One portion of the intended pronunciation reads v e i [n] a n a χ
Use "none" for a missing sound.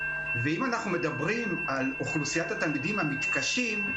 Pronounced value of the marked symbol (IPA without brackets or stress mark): m